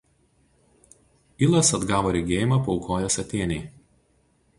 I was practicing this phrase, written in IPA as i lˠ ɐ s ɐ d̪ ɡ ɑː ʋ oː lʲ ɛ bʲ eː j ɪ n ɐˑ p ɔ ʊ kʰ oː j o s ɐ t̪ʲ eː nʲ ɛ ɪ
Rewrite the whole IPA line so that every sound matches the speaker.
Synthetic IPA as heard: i lˠ ɐ s ɐ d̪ ɡ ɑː ʋ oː ɾʲ ɛ ɡʲ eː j ɪ m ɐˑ p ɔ ʊ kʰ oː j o s ɐ t̪ʲ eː nʲ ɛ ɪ